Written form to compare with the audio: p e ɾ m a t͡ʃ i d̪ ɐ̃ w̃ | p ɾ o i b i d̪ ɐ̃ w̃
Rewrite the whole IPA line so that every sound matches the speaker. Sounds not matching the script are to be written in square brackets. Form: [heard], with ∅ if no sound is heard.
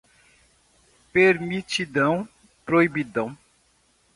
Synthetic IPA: p e ɾ m [i] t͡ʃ i d̪ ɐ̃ w̃ | p ɾ o i b i d̪ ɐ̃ w̃